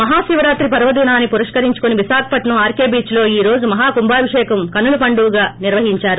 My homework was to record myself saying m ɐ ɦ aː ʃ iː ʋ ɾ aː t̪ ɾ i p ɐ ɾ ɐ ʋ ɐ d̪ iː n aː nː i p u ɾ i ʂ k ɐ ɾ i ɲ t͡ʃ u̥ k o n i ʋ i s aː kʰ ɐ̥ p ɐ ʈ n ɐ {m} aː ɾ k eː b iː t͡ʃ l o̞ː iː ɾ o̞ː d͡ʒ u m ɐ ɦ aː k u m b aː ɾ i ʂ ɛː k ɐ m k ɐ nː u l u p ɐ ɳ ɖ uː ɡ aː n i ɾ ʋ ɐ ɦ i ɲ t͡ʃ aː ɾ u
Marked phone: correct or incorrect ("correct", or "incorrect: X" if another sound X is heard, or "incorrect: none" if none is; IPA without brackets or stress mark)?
correct